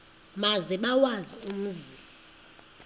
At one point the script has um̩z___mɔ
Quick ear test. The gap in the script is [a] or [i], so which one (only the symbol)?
i